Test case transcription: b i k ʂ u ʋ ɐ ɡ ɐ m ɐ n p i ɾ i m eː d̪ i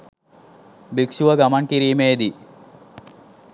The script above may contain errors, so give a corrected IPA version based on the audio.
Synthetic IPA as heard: b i k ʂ u ʋ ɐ ɡ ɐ m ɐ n k i ɾ iː m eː d̪ i